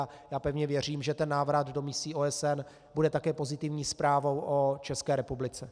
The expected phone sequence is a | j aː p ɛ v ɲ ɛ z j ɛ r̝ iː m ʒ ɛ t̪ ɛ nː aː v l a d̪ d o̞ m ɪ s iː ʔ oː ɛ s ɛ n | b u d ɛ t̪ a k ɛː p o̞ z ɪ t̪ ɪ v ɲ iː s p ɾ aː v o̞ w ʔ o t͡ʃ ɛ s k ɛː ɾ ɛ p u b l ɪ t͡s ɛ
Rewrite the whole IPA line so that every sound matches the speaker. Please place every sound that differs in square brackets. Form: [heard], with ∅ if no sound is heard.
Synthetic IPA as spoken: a | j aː p ɛ v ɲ ɛ [v] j ɛ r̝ iː m ʒ ɛ t̪ ɛ nː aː v [ɾ] a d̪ d o̞ m ɪ s iː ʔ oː ɛ s ɛ n | b u d ɛ t̪ a k ɛː p o̞ z ɪ t̪ ɪ v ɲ iː s p ɾ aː v o̞ w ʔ o t͡ʃ ɛ s k ɛː ɾ ɛ p u b l ɪ t͡s ɛ